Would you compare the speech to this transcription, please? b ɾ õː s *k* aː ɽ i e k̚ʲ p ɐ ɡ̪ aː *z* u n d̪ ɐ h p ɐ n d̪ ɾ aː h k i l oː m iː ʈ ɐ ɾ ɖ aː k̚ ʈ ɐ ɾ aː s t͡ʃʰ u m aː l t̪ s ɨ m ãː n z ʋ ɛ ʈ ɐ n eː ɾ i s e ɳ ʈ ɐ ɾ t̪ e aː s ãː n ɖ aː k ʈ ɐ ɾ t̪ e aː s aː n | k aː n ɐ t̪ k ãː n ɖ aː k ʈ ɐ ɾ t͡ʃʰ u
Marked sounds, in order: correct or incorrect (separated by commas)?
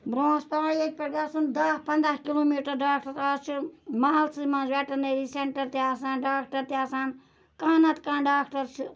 incorrect, incorrect